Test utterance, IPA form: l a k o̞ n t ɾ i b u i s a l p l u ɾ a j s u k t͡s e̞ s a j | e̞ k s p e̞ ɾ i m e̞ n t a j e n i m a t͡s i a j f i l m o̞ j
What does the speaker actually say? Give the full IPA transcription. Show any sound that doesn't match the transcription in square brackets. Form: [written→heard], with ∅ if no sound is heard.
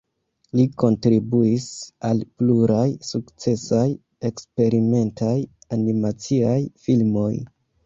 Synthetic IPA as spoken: l [a→i] k o̞ n t ɾ i b u i s a l p l u ɾ a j s u k t͡s e̞ s a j | e̞ k s p e̞ ɾ i m e̞ n t a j [e→a] n i m a t͡s i a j f i l m o̞ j